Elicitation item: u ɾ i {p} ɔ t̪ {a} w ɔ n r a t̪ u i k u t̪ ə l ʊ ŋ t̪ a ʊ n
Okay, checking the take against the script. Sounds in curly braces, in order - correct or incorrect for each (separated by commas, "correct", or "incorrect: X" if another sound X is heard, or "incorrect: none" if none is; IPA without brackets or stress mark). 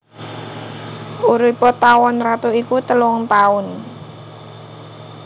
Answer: correct, correct